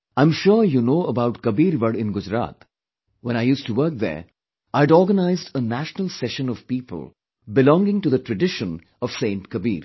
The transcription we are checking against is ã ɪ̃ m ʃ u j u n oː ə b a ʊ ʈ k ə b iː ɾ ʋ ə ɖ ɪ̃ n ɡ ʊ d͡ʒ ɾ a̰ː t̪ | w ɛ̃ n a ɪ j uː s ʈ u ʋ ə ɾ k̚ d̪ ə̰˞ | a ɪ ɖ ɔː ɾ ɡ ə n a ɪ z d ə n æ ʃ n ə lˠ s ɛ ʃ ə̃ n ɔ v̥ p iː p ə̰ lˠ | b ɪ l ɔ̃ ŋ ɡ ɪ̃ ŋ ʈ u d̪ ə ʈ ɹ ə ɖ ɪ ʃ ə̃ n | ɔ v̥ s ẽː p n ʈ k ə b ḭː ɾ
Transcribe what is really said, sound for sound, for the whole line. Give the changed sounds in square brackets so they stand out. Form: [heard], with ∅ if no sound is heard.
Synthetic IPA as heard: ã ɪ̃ m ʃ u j u n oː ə b a ʊ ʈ k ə b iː ɾ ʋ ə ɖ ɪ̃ n ɡ ʊ d͡ʒ ɾ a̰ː t̪ | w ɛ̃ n a ɪ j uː s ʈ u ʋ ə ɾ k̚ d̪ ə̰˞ | a ɪ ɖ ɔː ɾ ɡ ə n a ɪ z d ə n æ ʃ n ə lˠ s ɛ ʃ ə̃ n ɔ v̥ p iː p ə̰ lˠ | b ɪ l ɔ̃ ŋ ɡ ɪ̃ ŋ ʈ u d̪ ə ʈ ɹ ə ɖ ɪ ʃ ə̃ n | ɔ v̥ s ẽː [∅] n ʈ k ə b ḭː ɾ